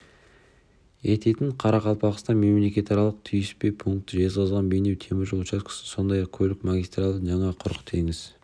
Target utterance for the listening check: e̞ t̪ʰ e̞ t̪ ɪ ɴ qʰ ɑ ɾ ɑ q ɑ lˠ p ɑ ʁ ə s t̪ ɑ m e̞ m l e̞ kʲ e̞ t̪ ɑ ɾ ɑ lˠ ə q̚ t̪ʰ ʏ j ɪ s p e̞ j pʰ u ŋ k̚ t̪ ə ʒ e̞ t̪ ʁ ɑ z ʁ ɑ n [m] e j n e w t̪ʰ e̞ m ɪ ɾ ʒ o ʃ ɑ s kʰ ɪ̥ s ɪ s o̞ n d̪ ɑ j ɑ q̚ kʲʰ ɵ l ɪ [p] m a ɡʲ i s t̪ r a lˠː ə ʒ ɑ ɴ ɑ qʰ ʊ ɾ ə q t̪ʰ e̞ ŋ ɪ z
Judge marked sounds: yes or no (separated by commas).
no, no